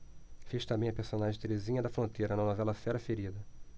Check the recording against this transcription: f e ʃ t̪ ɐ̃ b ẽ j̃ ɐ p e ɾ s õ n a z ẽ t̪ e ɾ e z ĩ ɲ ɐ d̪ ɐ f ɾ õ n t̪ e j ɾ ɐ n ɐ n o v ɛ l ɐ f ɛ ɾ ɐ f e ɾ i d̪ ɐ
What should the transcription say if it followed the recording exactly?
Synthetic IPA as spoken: f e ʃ t̪ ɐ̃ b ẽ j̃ ɐ p e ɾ s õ n a ʒ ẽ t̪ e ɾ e z ĩ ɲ ɐ d̪ ɐ f ɾ õ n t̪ e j ɾ ɐ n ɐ n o v ɛ l ɐ f ɛ ɾ ɐ f e ɾ i d̪ ɐ